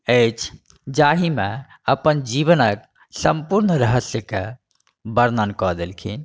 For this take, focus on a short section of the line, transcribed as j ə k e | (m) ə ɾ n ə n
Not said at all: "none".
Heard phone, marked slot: b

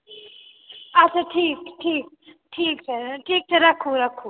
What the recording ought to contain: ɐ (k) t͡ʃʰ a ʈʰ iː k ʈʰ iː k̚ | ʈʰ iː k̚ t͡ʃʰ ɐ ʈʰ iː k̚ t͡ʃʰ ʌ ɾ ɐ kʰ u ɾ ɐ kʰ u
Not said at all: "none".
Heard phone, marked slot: none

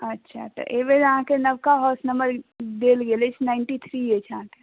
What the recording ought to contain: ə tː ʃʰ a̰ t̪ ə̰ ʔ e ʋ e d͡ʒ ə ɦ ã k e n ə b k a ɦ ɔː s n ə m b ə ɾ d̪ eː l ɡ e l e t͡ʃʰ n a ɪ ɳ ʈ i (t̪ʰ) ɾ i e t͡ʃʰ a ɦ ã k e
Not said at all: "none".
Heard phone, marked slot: t̪ʰ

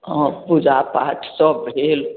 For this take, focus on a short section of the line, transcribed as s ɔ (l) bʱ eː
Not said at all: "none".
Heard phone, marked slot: none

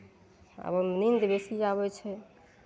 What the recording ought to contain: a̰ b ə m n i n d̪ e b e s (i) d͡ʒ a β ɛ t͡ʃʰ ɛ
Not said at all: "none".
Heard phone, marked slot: i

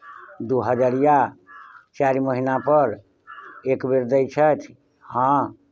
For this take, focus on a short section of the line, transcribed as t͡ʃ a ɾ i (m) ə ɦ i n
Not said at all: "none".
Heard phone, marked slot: m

